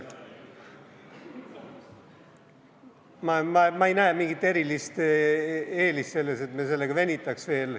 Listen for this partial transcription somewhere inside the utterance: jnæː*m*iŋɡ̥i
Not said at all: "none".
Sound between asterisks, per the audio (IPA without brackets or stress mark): m